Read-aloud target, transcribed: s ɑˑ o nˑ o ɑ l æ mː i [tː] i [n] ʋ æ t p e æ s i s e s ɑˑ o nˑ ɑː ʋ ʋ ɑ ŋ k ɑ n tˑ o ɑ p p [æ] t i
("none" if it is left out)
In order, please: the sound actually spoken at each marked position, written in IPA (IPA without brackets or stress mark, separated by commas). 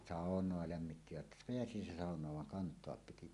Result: tː, none, i